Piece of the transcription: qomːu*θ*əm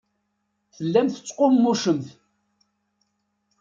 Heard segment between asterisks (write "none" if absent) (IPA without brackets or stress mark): ʃ